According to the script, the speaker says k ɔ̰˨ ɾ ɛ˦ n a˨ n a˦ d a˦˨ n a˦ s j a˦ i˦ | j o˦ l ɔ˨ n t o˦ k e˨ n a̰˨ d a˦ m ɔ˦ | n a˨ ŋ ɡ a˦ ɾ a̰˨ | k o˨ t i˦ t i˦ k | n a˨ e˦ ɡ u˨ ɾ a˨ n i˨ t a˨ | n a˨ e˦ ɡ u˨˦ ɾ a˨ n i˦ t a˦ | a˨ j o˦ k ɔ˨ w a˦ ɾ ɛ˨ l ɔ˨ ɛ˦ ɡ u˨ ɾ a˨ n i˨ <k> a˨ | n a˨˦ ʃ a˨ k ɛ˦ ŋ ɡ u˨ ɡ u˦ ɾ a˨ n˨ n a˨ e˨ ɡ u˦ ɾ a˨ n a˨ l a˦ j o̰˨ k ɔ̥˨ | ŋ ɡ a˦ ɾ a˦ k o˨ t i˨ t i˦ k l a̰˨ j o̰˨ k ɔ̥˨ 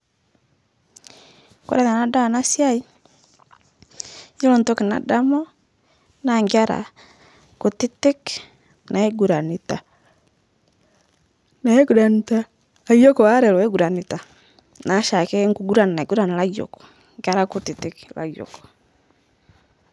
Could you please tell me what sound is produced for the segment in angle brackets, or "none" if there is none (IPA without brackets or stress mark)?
t